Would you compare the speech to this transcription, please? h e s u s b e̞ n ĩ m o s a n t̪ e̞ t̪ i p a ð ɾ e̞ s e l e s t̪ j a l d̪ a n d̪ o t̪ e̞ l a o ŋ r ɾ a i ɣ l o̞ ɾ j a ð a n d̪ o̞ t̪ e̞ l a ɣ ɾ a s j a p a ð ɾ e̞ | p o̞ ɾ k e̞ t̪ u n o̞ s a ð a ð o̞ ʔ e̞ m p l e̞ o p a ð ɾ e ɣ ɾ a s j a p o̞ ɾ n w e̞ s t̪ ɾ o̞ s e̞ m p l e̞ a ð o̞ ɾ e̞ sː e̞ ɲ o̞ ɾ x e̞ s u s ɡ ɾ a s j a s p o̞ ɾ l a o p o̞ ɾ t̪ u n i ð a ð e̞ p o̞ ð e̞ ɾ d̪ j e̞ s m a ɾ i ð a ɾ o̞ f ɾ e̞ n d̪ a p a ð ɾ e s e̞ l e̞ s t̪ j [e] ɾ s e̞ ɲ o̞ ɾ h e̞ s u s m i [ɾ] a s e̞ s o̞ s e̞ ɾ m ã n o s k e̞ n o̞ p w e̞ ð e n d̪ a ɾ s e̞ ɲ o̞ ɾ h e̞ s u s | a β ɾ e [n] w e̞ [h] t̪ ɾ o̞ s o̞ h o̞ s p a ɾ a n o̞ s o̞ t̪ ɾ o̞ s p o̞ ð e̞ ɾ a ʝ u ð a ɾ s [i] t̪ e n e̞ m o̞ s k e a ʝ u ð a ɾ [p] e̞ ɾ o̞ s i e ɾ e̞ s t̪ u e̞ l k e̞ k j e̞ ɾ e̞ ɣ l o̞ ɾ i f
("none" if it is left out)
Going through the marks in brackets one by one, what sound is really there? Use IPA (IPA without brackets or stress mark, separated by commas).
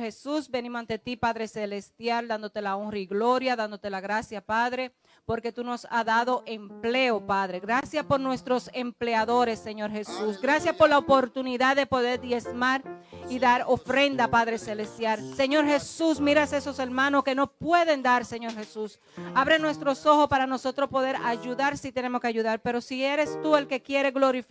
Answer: a, ɾ, n, s, i, p